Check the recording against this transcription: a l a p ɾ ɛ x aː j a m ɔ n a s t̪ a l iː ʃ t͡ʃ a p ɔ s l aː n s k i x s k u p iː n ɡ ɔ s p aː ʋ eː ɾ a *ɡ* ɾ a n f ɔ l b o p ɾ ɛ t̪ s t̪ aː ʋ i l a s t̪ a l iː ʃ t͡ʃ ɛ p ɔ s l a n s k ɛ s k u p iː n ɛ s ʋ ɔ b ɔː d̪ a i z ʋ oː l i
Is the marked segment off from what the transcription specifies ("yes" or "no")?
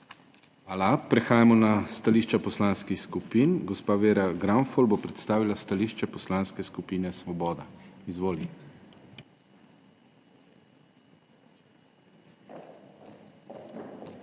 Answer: no